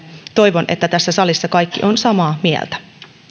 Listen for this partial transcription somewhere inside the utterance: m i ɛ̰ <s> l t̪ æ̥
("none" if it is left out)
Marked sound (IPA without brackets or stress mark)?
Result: none